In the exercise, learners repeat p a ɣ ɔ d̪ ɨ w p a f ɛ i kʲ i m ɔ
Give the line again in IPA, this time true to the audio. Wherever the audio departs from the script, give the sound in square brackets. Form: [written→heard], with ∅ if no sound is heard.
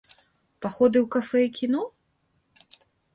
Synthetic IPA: p a [ɣ→x] ɔ d̪ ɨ w [p→k] a f ɛ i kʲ i [m→n] ɔ